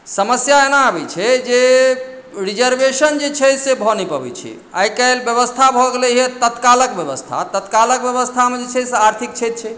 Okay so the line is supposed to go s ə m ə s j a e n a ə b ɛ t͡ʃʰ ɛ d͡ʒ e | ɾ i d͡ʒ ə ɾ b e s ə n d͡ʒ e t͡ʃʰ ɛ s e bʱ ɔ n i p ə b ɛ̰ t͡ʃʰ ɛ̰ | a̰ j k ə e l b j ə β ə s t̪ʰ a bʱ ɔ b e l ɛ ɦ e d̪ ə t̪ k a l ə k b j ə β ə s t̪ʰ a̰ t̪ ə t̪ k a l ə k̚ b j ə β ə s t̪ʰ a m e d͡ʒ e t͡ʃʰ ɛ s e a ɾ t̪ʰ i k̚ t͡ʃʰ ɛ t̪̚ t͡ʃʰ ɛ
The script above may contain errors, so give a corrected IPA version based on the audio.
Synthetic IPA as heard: s ə m ə s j a e n a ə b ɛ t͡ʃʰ ɛ d͡ʒ e | ɾ i d͡ʒ ə ɾ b e s ə n d͡ʒ e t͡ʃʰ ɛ s e bʱ ɔ n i p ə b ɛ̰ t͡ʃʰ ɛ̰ | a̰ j k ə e l b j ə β ə s t̪ʰ a bʱ ɔ ɡ e l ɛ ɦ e t̪ ə t̪ k a l ə k b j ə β ə s t̪ʰ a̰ t̪ ə t̪ k a l ə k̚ b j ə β ə s t̪ʰ a m e d͡ʒ e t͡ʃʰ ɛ s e a ɾ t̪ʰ i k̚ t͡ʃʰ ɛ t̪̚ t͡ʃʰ ɛ